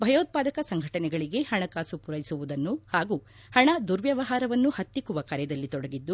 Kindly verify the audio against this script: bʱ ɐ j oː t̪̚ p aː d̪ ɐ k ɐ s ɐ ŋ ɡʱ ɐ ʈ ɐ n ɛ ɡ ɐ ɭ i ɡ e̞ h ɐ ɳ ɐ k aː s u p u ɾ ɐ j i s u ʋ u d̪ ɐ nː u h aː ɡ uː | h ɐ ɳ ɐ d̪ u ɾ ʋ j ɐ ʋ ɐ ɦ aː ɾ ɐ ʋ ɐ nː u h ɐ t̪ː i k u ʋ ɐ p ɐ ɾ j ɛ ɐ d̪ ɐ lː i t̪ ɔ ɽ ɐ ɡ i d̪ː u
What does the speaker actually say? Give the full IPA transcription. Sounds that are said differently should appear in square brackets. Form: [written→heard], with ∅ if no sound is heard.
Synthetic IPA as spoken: bʱ ɐ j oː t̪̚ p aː d̪ ɐ k ɐ s ɐ ŋ ɡʱ ɐ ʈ ɐ n ɛ ɡ ɐ ɭ i ɡ e̞ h ɐ ɳ ɐ k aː s u p u ɾ ɐ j i s u ʋ u d̪ ɐ nː u h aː ɡ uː | h ɐ ɳ ɐ d̪ u ɾ ʋ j ɐ ʋ ɐ ɦ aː ɾ ɐ ʋ ɐ nː u h ɐ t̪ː i k u ʋ ɐ [p→k] ɐ ɾ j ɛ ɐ d̪ ɐ lː i t̪ ɔ ɽ ɐ ɡ i d̪ː u